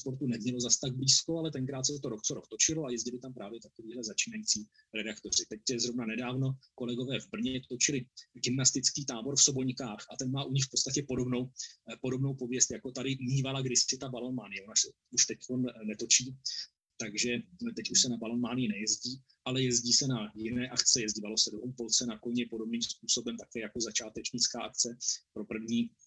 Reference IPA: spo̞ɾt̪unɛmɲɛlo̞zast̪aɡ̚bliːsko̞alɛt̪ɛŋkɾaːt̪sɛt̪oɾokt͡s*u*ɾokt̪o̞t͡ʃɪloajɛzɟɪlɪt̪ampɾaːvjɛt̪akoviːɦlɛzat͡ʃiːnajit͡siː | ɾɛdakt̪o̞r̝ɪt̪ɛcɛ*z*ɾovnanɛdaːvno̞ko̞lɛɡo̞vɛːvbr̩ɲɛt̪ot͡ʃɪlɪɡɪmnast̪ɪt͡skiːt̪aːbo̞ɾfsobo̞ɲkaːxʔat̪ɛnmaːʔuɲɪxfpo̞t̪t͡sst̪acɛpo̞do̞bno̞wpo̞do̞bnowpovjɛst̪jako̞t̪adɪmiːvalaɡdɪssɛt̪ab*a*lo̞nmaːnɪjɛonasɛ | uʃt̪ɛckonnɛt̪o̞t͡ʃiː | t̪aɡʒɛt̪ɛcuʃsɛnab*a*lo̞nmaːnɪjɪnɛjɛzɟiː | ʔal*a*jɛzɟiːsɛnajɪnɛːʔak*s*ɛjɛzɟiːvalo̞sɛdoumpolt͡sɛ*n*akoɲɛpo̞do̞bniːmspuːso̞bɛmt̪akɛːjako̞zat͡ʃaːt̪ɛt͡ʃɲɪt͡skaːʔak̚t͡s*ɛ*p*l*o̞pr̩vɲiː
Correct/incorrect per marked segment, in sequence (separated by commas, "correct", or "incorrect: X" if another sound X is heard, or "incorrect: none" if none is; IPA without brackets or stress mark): incorrect: o, correct, correct, correct, incorrect: ɛ, incorrect: t͡s, correct, correct, incorrect: ɾ